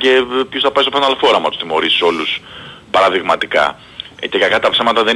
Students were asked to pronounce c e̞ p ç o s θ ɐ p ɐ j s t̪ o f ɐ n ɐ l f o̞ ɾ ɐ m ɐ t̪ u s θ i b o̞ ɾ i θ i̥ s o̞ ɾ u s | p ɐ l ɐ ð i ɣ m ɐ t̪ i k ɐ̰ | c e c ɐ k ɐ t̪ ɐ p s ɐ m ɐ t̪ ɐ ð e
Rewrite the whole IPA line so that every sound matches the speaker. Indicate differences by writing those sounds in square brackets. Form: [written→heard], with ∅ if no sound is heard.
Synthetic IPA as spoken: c e̞ p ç o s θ ɐ p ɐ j s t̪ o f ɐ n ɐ l f o̞ ɾ ɐ m ɐ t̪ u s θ i [b→m] o̞ ɾ i [θ→s] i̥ s o̞ [ɾ→l] u s | p ɐ [l→ɾ] ɐ ð i ɣ m ɐ t̪ i k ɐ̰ | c e [c→k] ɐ k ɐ t̪ ɐ p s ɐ m ɐ t̪ ɐ ð e